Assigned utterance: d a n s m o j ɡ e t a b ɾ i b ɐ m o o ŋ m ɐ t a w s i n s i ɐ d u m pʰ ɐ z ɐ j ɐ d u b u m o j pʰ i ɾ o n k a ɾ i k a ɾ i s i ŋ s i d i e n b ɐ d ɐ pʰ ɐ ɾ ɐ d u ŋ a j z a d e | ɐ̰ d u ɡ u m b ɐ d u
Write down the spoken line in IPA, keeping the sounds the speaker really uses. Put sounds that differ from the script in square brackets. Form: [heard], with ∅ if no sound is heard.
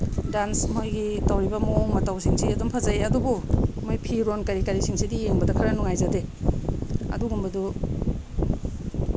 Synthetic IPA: d a n s m o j ɡ [i] t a [w] ɾ i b ɐ m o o ŋ m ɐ t a w s i [ŋ] s i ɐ d u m pʰ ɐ z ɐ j ɐ d u b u m o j pʰ i ɾ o n k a ɾ i k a ɾ i s i ŋ s i d i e [ŋ] b ɐ d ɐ [kʰ] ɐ ɾ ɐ [n] u ŋ a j z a d e | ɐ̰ d u ɡ u m b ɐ d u

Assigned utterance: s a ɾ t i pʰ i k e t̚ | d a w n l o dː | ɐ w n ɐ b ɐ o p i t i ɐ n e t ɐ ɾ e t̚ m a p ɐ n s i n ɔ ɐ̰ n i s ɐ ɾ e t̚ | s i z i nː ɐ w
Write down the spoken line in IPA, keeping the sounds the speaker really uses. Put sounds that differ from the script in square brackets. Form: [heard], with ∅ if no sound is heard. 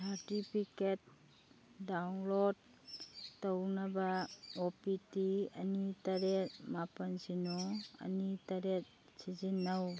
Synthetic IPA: s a ɾ t i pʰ i k e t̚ | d a w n l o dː | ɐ w n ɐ b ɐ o p i t i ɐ n [i] t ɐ ɾ e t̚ m a p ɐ n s i n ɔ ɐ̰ n i [t] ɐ ɾ e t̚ | s i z i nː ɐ w

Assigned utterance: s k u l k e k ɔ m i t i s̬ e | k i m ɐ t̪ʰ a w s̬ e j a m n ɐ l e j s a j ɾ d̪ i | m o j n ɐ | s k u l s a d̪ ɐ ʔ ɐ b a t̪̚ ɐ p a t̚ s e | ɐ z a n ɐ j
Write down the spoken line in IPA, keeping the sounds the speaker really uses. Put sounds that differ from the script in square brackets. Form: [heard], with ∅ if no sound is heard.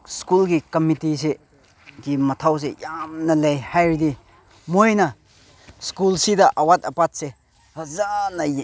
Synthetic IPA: s k u l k [i] k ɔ m i t i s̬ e | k i m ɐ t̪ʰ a w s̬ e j a m n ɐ l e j [h] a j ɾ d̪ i | m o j n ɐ | s k u l s [i] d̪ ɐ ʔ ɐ [w] a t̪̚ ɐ p a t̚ s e | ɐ z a n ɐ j

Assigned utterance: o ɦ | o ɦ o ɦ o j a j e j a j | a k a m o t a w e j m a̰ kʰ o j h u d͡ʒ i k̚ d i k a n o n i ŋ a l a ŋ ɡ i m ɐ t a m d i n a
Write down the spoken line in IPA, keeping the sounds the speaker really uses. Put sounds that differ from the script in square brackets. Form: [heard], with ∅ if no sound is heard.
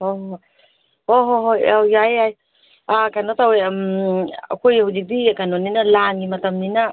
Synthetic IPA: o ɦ | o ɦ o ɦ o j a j [a] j a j | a k a [n] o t a w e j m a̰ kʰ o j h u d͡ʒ i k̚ d i k a n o n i [n] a l a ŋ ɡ i m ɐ t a m [n] i n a

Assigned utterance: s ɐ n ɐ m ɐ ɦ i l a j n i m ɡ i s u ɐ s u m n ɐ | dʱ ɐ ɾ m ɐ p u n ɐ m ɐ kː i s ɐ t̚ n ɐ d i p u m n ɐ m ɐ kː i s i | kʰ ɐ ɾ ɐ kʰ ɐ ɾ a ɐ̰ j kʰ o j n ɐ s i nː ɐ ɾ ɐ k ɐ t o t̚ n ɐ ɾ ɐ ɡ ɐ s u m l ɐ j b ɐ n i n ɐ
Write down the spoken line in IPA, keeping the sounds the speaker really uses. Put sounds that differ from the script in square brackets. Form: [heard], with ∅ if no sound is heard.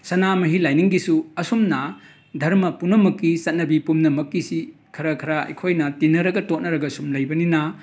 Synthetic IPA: s ɐ n [a] m ɐ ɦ i l a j n i [ŋ] ɡ i s u ɐ s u m n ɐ | dʱ ɐ ɾ m ɐ p u n ɐ m ɐ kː i s ɐ t̚ n ɐ [b] i p u m n ɐ m ɐ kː i s i | kʰ ɐ ɾ ɐ kʰ ɐ ɾ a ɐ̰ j kʰ o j n ɐ [t] i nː ɐ ɾ ɐ [ɡ] ɐ t o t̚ n ɐ ɾ ɐ ɡ ɐ s u m l ɐ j b ɐ n i n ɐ

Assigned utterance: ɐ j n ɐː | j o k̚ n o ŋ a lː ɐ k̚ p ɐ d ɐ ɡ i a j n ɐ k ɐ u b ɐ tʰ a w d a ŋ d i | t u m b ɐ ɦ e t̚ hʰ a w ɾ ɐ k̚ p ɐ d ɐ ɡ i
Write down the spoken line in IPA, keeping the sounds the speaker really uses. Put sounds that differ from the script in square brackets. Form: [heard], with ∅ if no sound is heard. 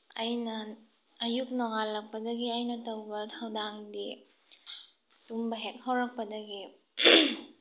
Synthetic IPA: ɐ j n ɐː | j [u] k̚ n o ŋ a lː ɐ k̚ p ɐ d ɐ ɡ i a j n ɐ [t] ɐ [w] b ɐ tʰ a w d a ŋ d i | t u m b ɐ ɦ e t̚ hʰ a w ɾ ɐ k̚ p ɐ d ɐ ɡ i

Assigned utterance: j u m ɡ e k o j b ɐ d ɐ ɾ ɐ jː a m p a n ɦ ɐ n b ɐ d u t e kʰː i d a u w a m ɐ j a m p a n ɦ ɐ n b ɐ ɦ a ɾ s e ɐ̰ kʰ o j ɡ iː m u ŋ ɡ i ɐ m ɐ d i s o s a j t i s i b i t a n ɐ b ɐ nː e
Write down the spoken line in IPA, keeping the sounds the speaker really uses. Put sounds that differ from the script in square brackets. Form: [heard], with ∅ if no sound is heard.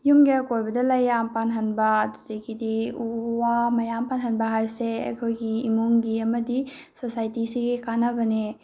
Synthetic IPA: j u m ɡ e k o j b ɐ d ɐ [l] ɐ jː a m p a n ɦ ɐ n b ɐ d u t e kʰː i d [i] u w a m ɐ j a m p a n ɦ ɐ n b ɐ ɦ a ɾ s e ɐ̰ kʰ o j ɡ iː m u ŋ ɡ i ɐ m ɐ d i s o s a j t i s i [ɡ] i [k] a n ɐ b ɐ [n] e

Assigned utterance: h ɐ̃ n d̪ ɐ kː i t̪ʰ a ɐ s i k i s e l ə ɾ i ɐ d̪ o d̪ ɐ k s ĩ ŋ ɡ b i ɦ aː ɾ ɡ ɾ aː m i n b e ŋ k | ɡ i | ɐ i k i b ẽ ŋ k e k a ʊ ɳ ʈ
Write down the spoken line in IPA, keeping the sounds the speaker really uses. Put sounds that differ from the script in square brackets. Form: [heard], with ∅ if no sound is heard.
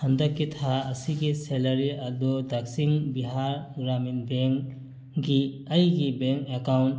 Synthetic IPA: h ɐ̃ n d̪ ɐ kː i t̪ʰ a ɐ s i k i s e l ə ɾ i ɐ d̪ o d̪ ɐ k s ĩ ŋ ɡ b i ɦ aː ɾ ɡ ɾ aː m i n b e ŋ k | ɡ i | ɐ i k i b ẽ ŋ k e k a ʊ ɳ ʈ

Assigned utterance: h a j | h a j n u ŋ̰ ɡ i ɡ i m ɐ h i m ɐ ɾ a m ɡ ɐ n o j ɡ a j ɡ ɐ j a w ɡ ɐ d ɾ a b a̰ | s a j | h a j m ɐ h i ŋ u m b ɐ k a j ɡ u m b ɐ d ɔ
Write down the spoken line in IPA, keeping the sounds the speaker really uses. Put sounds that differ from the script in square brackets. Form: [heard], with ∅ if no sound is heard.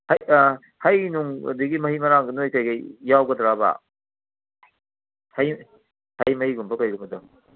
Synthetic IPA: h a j | h a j n u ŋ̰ [d] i ɡ i m ɐ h i m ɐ ɾ a [ŋ] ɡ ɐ n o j [k] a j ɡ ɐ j a w ɡ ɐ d ɾ a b a̰ | [h] a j | h a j m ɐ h i [ɡ] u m b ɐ k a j ɡ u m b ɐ d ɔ

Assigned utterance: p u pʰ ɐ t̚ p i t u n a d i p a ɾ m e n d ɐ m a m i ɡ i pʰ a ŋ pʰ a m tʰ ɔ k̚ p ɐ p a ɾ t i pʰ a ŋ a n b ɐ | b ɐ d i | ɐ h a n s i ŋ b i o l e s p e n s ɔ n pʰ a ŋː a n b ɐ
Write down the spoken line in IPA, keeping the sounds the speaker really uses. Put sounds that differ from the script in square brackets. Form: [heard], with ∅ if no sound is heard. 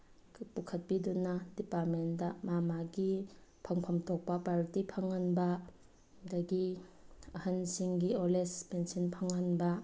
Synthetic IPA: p u [kʰ] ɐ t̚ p i [d] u n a d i p a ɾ m e n d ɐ m a m [a] ɡ i pʰ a ŋ pʰ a m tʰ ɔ k̚ p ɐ p a ɾ t i pʰ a ŋ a n b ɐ | [d] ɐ [ɡ] i | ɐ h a n s i ŋ [ɡ] i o l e s p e n s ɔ n pʰ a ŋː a n b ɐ

